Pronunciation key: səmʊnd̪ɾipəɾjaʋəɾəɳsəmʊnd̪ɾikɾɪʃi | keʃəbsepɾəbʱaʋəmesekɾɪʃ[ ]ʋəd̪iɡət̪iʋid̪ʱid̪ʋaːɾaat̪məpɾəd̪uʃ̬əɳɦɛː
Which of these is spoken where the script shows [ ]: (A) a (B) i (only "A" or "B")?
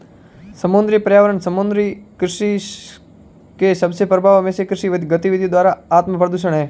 B